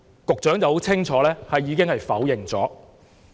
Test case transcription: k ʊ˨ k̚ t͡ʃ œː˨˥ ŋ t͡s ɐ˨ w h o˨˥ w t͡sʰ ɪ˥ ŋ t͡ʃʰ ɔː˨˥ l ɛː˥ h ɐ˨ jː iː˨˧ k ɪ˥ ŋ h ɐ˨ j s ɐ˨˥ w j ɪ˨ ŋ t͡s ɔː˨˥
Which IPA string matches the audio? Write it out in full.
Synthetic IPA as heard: k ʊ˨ k̚ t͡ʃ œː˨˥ ŋ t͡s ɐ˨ w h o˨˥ w t͡sʰ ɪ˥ ŋ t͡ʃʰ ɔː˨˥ l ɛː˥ h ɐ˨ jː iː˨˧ k ɪ˥ ŋ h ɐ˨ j f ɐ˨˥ w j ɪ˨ ŋ t͡s ɔː˨˥